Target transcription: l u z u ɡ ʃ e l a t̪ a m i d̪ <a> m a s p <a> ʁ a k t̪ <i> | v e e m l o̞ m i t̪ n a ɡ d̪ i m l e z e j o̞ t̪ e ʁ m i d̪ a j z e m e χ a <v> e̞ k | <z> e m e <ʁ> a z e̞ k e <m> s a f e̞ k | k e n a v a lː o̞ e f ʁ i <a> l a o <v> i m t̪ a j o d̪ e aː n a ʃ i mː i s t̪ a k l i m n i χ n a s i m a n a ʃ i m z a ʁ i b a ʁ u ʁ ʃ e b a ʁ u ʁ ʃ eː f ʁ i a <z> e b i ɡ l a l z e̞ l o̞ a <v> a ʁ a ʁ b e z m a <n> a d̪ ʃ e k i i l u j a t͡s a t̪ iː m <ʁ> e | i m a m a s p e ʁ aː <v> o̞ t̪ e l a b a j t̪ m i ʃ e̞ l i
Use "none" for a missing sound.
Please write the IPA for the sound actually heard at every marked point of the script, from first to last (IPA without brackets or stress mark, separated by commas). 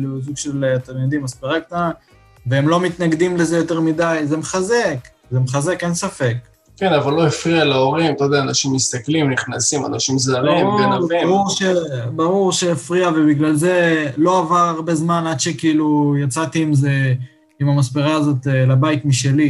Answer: i, e, a, z, z, χ, n, a, ʁ, v, v, n, z, z